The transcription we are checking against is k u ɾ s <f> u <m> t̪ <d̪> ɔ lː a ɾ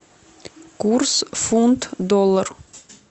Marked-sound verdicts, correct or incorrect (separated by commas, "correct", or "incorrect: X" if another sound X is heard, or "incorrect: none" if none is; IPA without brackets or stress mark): correct, incorrect: n, correct